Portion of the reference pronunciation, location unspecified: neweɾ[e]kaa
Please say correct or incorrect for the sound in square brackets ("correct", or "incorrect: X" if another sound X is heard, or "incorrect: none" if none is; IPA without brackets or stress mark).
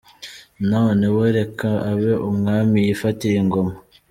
correct